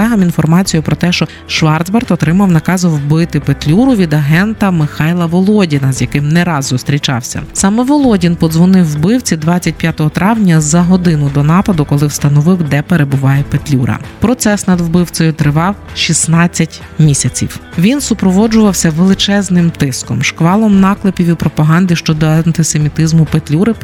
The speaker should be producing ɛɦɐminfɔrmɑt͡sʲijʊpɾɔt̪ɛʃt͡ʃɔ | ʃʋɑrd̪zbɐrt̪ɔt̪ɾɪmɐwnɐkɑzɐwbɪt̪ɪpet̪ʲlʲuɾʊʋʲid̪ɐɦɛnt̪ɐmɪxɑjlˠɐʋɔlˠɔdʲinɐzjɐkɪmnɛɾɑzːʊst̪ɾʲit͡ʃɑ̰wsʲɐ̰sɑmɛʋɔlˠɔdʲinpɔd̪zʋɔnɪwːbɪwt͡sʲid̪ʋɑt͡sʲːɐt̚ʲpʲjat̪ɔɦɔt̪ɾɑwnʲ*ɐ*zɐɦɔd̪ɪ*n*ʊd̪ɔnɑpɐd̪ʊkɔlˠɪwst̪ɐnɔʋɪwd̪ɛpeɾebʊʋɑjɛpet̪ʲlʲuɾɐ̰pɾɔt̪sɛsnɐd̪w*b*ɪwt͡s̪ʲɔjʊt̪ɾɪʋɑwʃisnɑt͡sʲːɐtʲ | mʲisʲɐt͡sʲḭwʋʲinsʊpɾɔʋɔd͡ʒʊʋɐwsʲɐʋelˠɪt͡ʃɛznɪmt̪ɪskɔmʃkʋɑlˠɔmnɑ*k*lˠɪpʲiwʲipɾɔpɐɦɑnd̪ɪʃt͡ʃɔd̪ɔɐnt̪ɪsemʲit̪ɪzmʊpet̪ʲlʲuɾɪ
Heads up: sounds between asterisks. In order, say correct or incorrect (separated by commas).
correct, correct, correct, correct